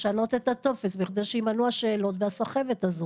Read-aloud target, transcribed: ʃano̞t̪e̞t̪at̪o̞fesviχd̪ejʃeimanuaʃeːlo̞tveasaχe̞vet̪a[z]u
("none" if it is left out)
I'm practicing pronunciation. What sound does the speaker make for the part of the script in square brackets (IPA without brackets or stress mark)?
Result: z